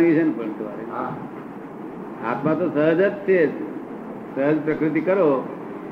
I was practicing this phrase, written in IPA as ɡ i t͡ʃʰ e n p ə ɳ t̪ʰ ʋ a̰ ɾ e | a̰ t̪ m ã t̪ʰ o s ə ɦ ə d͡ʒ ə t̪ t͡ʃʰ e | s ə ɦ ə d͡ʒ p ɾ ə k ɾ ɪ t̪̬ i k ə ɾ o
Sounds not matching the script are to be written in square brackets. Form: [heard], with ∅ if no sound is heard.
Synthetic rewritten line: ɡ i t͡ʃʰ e n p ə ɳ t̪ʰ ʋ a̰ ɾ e | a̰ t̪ m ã [t̪] o s ə ɦ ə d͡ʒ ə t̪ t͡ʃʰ e | s ə ɦ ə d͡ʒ p ɾ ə k ɾ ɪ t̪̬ i k ə ɾ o